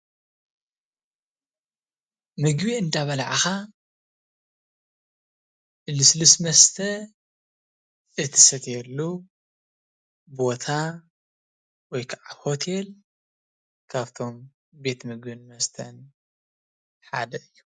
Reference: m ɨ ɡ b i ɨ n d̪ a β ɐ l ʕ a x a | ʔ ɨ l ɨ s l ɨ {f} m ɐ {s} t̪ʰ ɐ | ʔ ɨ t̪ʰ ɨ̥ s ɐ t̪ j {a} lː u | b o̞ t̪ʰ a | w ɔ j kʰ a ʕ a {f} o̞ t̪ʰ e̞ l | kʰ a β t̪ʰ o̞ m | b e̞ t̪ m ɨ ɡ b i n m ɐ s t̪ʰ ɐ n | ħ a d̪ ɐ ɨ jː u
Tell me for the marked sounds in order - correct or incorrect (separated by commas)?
incorrect, correct, incorrect, incorrect